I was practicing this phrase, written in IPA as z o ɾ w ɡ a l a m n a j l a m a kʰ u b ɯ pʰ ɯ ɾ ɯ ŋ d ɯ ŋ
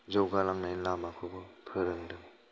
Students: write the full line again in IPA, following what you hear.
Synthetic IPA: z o w ɡ a l a ŋ n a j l a m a kʰ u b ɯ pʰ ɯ ɾ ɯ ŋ d ɯ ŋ